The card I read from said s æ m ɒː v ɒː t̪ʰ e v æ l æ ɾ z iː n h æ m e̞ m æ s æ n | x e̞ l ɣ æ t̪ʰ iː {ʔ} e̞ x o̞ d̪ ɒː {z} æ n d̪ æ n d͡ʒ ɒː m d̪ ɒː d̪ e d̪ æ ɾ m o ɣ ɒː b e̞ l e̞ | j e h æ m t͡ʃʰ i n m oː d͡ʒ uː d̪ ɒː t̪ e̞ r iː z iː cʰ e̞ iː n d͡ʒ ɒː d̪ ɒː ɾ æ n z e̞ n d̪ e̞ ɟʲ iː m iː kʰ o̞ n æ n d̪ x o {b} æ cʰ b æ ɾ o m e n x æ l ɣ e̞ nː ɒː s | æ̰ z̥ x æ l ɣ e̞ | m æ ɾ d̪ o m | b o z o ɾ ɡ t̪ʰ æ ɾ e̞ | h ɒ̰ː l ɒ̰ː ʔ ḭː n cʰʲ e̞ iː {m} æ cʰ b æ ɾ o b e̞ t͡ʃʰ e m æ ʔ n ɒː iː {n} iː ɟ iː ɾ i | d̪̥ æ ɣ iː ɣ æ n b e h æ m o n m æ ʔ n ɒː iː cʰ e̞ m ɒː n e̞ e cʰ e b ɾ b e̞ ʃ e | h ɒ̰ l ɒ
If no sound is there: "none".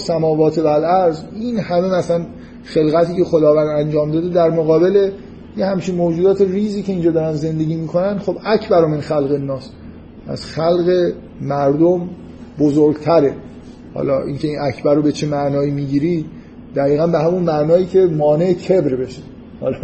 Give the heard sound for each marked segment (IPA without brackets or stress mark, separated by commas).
c, v, b, n, m